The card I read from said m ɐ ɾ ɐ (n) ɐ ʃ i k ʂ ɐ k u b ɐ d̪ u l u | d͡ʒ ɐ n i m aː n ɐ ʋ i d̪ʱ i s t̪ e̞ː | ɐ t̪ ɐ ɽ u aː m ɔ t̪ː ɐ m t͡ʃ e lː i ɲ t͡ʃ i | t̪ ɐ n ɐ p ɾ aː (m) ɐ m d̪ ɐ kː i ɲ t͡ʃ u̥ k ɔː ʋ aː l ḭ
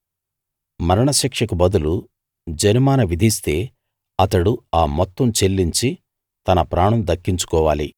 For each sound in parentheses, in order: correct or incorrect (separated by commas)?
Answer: incorrect, incorrect